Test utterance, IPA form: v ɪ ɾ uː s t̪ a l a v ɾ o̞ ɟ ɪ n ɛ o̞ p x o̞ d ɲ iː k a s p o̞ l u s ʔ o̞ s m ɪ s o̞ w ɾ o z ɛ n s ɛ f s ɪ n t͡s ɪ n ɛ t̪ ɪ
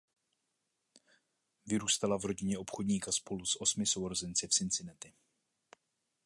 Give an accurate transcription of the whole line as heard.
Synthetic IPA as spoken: v ɪ ɾ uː s t̪ a l a v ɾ o̞ ɟ ɪ ɲ ɛ o̞ p x o̞ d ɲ iː k a s p o̞ l u s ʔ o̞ s m ɪ s o̞ w ɾ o z ɛ n t͡s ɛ f s ɪ n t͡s ɪ n ɛ t̪ ɪ

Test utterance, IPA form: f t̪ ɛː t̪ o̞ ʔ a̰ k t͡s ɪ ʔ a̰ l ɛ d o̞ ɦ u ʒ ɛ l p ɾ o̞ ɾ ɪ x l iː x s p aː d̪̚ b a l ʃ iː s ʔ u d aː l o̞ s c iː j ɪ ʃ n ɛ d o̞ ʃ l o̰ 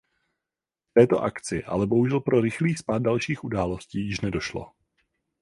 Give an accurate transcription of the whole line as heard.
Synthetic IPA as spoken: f t̪ ɛː t̪ o̞ ʔ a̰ k t͡s ɪ ʔ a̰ l ɛ b o̞ ɦ u ʒ ɛ l p ɾ o̞ ɾ ɪ x l iː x s p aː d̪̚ d a l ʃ iː x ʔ u d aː l o̞ s c iː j ɪ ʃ n ɛ d o̞ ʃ l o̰

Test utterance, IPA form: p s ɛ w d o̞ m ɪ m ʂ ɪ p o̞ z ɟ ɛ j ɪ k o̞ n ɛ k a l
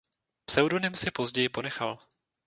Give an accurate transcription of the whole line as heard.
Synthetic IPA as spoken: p s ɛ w d o̞ n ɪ m s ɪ p o̞ z ɟ ɛ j ɪ p o̞ n ɛ x a l

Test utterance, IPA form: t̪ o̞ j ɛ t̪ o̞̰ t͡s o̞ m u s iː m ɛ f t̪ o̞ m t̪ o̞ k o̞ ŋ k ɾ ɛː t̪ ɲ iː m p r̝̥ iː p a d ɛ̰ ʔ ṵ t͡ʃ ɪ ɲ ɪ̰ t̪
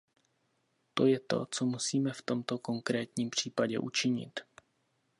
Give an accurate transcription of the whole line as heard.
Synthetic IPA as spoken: t̪ o̞ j ɛ t̪ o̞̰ t͡s o̞ m u s iː m ɛ f t̪ o̞ m t̪ o̞ k o̞ ŋ k ɾ ɛː t̪ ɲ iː m p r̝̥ iː p a ɟ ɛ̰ ʔ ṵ t͡ʃ ɪ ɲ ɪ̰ t̪

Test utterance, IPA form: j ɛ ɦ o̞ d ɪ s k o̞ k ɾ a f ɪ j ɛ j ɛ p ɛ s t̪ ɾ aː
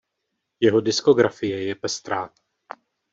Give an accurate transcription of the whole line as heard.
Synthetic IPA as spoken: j ɛ ɦ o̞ d ɪ s k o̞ ɡ ɾ a f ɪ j ɛ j ɛ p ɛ s t̪ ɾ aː

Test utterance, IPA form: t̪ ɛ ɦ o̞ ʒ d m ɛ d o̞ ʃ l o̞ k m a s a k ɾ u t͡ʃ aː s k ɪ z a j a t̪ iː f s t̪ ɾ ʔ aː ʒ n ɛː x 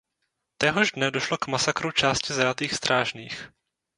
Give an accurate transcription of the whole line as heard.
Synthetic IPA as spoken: t̪ ɛ ɦ o̞ ʒ d n ɛ d o̞ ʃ l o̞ k m a s a k ɾ u t͡ʃ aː s c ɪ z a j a t̪ iː x s t̪ ɾ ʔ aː ʒ n iː x

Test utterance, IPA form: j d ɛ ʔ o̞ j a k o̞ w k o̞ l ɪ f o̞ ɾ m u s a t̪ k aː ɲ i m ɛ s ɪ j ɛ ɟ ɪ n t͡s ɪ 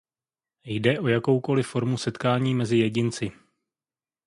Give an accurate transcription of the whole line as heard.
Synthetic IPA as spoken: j d ɛ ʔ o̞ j a k o̞ w k o̞ l ɪ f o̞ ɾ m u s ɛ t̪ k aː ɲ iː m ɛ z ɪ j ɛ ɟ ɪ n t͡s ɪ

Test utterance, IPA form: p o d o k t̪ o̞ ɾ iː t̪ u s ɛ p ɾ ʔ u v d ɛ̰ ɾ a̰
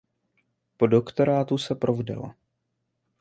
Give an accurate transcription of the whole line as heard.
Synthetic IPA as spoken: p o d o k t̪ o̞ ɾ aː t̪ u s ɛ p ɾ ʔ o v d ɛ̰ l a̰

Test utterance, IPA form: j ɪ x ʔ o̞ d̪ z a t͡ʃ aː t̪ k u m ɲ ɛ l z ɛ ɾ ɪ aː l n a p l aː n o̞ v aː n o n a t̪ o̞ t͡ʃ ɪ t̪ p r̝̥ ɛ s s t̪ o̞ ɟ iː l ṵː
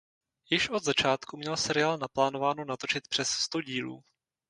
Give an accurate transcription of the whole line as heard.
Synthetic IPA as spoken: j ɪ ʃ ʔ o̞ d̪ z a t͡ʃ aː t̪ k u m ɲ ɛ l s ɛ ɾ ɪ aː l n a p l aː n o̞ v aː n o n a t̪ o̞ t͡ʃ ɪ t̪ p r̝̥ ɛ s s t̪ o̞ ɟ iː l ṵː

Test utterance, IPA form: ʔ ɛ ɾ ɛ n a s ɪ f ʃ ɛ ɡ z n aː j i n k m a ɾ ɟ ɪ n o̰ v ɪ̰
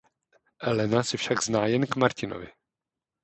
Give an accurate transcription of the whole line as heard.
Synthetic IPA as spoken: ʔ ɛ l ɛ n a s ɪ f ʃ a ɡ z n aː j ɛ n k m a ɾ c ɪ n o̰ v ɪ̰

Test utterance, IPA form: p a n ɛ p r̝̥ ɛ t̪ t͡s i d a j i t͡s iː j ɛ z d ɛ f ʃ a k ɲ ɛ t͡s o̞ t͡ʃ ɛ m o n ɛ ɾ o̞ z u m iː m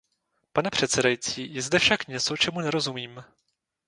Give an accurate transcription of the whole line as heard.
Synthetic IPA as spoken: p a n ɛ p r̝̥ ɛ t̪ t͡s ɛ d a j i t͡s iː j ɛ z d ɛ f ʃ a k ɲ ɛ t͡s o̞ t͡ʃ ɛ m u n ɛ ɾ o̞ z u m iː m

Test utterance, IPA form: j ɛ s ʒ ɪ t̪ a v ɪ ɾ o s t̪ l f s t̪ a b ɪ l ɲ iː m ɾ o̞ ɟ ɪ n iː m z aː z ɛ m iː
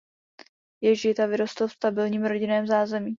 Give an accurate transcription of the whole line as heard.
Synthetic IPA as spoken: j ɛ ʒ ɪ t̪ a v ɪ ɾ o s t̪ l f s t̪ a b ɪ l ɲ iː m ɾ o̞ ɟ ɪ n ɛː m z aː z ɛ m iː

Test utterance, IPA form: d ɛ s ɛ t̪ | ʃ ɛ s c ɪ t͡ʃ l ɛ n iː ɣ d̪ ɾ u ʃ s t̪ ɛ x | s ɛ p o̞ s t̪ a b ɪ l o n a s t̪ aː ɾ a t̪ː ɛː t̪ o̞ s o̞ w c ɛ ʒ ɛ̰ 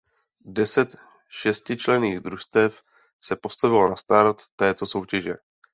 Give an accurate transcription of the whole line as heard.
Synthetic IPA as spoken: d ɛ s ɛ t̪ | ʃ ɛ s c ɪ t͡ʃ l ɛ n iː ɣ d̪ ɾ u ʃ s t̪ ɛ f | s ɛ p o̞ s t̪ a v ɪ l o n a s t̪ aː ɾ a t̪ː ɛː t̪ o̞ s o̞ w c ɛ ʒ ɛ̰

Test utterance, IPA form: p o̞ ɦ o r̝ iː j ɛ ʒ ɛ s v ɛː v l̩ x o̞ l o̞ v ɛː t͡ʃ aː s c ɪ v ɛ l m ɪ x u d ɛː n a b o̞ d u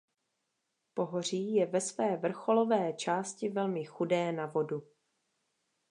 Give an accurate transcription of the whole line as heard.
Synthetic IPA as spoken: p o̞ ɦ o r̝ iː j ɛ v ɛ s v ɛː v r̩ x o̞ l o̞ v ɛː t͡ʃ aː s c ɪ v ɛ l m ɪ x u d ɛː n a v o̞ d u

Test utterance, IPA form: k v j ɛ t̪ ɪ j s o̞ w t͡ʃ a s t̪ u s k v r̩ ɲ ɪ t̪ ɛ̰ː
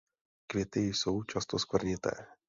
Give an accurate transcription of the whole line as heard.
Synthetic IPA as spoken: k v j ɛ t̪ ɪ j s o̞ w t͡ʃ a s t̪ o s k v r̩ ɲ ɪ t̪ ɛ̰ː

